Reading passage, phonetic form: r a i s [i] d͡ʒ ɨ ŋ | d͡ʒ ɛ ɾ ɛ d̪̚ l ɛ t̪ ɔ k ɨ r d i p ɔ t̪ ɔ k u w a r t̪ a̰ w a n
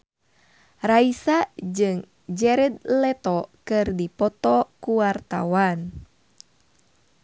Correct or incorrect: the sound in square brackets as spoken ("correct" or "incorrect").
incorrect